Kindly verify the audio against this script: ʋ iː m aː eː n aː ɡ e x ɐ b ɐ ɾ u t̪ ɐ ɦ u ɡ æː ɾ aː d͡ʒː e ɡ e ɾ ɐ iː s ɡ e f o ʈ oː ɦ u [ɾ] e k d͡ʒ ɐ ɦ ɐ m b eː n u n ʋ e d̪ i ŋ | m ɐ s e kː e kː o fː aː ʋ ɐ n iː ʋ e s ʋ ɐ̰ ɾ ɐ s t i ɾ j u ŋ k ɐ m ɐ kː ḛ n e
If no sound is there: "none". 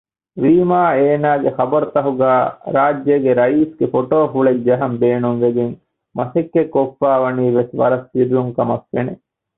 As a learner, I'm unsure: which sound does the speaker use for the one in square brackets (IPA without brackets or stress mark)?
ɭ